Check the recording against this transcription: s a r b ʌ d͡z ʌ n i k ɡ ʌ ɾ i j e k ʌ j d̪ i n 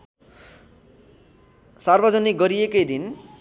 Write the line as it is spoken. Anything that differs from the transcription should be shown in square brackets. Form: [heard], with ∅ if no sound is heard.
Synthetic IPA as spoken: s a r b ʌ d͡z ʌ n i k ɡ ʌ ɾ i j e k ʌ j d̪ i n